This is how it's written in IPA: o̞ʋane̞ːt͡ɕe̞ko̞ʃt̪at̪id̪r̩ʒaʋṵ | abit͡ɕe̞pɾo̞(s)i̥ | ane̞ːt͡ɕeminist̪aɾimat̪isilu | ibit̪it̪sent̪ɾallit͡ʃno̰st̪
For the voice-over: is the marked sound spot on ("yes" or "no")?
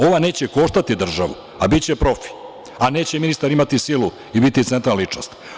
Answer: no